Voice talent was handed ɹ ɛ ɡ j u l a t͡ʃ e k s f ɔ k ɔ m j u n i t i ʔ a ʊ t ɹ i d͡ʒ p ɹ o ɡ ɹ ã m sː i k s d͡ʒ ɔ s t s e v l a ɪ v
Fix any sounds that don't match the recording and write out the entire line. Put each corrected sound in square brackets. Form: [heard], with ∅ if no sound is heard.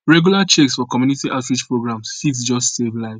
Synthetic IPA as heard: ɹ ɛ ɡ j u l a t͡ʃ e k s f ɔ k ɔ m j u n i t i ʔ a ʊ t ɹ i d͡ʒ p ɹ o ɡ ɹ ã m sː i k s d͡ʒ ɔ s t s e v l a ɪ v